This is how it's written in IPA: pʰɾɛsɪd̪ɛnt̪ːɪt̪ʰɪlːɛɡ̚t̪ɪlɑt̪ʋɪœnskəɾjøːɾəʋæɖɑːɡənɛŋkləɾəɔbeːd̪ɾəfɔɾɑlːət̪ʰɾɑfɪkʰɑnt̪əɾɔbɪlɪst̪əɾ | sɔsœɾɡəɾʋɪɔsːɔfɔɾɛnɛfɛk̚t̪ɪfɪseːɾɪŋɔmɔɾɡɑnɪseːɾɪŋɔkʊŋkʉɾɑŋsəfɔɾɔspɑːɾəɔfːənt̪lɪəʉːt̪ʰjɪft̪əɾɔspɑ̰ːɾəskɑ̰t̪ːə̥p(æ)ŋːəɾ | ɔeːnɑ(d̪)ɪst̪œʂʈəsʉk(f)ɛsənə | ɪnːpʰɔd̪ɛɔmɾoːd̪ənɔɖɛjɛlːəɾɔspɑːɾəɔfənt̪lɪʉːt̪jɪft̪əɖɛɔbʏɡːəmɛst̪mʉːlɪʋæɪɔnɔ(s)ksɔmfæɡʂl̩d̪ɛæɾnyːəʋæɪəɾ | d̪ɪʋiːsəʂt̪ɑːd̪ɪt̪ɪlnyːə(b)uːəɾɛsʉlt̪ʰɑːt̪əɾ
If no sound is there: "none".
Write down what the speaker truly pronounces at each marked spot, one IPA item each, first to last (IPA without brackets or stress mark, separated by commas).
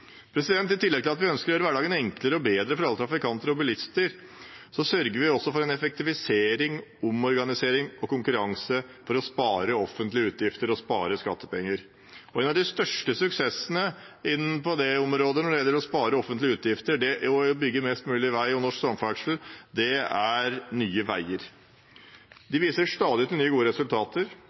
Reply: ɛ, d̪, s, ʂ, ɡ